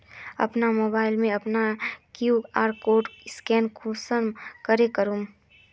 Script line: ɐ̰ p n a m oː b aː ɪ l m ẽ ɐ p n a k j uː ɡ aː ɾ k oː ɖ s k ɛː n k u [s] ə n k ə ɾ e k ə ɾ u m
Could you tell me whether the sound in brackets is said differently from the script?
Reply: no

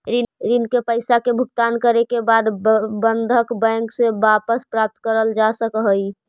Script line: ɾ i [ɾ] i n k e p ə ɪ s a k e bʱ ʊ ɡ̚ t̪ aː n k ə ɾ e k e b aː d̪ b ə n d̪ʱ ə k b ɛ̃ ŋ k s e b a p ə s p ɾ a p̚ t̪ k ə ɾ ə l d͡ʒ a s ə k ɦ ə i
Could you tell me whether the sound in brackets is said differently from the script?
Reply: no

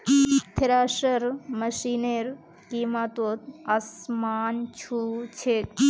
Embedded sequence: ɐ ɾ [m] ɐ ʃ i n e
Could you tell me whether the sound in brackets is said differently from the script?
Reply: no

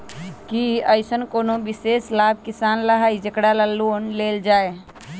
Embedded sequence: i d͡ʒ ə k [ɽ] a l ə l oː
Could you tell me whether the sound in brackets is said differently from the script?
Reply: no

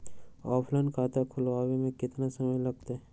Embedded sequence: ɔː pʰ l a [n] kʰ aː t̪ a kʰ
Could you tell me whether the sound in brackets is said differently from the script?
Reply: no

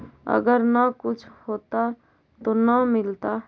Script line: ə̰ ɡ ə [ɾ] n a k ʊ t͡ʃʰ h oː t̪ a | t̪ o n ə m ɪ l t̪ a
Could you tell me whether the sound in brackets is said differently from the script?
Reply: no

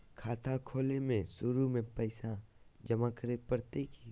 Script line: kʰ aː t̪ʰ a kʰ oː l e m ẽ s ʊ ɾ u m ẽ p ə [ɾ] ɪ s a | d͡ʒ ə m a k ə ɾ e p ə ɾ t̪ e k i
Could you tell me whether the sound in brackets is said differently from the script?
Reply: yes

